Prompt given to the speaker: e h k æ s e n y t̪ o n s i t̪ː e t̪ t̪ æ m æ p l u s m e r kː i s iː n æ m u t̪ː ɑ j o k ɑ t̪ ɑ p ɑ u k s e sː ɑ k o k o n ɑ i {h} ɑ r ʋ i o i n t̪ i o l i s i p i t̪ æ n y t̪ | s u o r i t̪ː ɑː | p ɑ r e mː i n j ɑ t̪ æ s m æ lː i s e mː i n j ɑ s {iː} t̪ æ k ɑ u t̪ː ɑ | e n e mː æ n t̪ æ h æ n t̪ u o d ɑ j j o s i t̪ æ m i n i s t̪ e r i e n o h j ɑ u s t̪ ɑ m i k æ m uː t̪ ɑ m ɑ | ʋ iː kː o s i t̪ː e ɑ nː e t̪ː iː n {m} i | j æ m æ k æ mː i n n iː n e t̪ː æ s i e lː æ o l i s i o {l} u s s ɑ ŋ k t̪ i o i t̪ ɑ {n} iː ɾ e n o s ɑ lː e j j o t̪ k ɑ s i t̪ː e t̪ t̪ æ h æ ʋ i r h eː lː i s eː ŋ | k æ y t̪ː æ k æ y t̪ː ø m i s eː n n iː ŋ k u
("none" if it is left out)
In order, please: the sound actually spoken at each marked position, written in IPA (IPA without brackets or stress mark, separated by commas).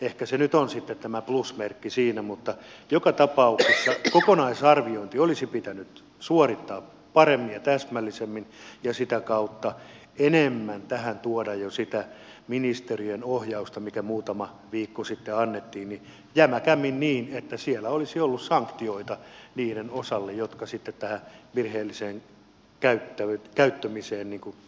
s, i, n, lː, n